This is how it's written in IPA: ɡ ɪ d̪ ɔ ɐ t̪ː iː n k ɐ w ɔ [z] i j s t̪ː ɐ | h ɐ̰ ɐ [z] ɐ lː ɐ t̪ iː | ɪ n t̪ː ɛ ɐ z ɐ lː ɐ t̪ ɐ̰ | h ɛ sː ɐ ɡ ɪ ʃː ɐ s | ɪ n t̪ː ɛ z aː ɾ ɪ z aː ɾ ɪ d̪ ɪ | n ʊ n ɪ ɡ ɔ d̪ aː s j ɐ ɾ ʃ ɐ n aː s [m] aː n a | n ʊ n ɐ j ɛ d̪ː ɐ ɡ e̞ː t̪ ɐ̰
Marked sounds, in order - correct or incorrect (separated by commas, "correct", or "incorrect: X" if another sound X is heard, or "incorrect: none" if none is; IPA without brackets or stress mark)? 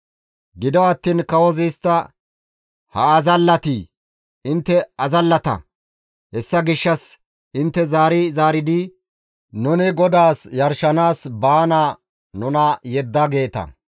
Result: correct, correct, incorrect: b